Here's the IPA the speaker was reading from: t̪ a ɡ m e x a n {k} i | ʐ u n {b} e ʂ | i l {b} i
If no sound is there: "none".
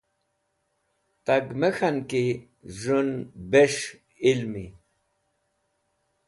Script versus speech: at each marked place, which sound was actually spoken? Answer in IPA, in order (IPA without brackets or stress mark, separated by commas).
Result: k, b, m